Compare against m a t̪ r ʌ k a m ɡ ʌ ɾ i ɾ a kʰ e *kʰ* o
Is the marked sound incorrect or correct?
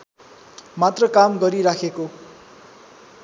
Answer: incorrect